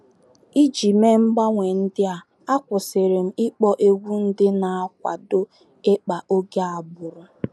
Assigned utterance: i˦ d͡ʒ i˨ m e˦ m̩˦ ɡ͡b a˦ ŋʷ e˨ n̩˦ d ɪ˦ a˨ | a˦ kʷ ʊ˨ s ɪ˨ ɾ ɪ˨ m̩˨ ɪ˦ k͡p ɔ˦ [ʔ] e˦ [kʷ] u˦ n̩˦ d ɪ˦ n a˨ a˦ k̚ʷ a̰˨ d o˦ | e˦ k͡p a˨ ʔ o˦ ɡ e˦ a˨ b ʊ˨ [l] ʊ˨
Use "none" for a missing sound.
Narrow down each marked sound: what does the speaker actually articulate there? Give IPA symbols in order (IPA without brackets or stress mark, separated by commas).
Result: ʔ, ɡʷ, ɾ